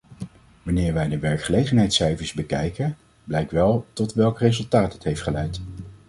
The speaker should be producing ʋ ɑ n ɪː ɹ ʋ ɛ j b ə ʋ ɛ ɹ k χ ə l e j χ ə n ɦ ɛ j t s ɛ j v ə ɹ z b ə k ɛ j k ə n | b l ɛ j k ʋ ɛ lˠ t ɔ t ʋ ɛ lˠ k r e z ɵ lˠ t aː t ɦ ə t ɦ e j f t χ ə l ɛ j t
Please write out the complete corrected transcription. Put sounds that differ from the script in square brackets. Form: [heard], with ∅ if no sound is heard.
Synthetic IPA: ʋ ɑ n ɪː ɹ ʋ ɛ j [d] ə ʋ ɛ ɹ k χ ə l e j χ ə n ɦ ɛ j t s ɛ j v ə ɹ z b ə k ɛ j k ə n | b l ɛ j k ʋ ɛ lˠ t ɔ t ʋ ɛ lˠ k r e z ɵ lˠ t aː t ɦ ə t ɦ e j f t χ ə l ɛ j t